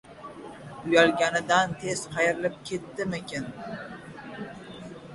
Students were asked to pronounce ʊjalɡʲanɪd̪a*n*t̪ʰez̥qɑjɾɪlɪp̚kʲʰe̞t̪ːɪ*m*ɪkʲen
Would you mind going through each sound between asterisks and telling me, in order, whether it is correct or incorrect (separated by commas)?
correct, correct